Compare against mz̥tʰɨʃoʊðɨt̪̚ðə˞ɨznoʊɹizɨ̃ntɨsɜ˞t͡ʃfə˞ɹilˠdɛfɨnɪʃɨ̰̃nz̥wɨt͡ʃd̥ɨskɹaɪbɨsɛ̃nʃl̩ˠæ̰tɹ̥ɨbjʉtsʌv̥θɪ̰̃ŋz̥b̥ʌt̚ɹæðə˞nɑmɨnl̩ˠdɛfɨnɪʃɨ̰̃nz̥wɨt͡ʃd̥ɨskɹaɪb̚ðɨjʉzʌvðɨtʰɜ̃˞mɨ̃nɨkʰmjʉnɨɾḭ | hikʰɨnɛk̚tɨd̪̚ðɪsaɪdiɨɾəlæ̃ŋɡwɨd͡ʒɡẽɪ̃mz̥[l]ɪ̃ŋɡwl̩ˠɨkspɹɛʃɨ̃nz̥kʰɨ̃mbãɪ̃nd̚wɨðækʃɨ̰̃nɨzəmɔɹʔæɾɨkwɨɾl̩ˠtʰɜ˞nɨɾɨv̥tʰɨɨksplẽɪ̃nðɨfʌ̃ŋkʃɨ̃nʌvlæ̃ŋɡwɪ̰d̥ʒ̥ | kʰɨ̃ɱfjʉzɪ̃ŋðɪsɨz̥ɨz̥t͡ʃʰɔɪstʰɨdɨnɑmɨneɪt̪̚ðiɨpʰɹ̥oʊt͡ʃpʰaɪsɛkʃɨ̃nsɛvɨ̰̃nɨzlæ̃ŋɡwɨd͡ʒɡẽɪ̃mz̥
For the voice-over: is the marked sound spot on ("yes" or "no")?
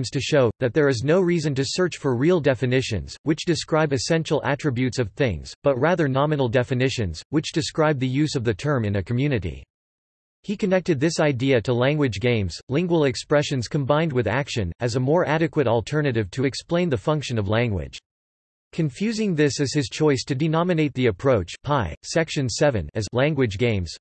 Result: yes